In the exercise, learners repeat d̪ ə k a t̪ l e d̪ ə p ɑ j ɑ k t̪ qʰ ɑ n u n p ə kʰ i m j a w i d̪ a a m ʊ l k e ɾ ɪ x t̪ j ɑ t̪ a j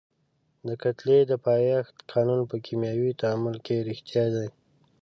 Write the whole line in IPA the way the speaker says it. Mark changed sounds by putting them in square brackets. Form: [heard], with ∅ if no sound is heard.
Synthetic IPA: d̪ ə k a t̪ l e d̪ ə p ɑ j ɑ [x] t̪ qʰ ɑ n u n p ə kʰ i m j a w i [t̪] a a m ʊ l k e ɾ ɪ x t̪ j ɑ [d̪] a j

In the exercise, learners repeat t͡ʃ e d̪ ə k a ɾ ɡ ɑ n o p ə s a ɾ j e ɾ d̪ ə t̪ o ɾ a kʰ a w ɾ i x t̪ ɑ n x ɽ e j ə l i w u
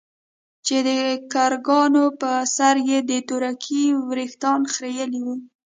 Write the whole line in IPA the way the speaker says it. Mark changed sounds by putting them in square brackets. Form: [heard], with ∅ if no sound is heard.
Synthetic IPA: t͡ʃ e d̪ ə k a ɾ ɡ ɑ n o p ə s a ɾ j e [∅] d̪ ə t̪ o ɾ a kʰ [i] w ɾ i x t̪ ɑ n x [ɾ] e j ə l i w u

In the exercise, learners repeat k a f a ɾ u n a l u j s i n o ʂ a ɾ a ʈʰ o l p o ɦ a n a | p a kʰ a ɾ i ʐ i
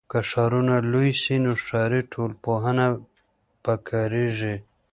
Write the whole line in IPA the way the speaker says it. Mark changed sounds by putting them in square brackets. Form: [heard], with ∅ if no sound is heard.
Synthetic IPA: k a [ʂ] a ɾ u n a l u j s i n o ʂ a ɾ [i] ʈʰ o l p o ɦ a n a | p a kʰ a ɾ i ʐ i

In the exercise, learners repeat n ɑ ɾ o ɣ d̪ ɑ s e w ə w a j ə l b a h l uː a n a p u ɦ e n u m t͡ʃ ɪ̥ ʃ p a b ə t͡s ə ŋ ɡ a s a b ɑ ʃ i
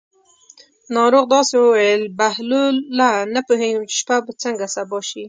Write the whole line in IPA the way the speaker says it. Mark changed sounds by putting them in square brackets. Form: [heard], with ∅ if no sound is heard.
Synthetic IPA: n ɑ ɾ o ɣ d̪ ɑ s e w ə w a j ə l b a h l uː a n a p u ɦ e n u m t͡ʃ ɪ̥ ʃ p a b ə t͡s ə ŋ ɡ a s a b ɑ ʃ i

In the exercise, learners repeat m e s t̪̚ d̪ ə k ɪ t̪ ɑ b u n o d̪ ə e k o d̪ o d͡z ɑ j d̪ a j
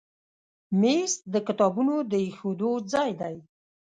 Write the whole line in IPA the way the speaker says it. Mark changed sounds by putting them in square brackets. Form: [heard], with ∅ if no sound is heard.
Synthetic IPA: m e s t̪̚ d̪ ə k ɪ t̪ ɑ b u n o d̪ ə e [x] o d̪ o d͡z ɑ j d̪ a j

